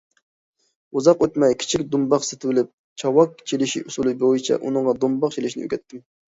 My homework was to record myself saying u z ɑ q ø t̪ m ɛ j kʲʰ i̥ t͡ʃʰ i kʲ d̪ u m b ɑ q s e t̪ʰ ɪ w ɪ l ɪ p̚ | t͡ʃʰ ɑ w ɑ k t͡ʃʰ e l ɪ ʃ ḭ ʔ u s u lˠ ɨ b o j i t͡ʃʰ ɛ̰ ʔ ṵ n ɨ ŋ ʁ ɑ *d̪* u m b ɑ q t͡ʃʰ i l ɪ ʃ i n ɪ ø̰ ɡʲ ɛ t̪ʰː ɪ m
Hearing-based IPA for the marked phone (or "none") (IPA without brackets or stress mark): d̪